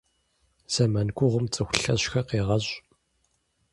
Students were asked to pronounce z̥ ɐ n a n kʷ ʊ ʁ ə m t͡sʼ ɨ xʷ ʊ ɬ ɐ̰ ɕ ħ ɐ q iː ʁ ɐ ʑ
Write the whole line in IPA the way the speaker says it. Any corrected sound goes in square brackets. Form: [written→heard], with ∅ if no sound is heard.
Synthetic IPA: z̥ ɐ [n→m] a n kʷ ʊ ʁ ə m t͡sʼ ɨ xʷ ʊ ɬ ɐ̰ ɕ [ħ→x] ɐ q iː ʁ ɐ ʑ